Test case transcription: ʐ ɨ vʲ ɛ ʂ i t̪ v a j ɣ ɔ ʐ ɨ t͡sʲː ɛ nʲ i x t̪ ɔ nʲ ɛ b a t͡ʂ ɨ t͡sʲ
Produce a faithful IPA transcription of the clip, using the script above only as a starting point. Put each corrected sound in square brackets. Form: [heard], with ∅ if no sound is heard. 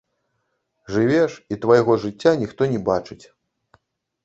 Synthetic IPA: ʐ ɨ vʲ ɛ ʂ i t̪ v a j ɣ ɔ ʐ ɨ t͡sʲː [a] nʲ i x t̪ ɔ nʲ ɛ b a t͡ʂ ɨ t͡sʲ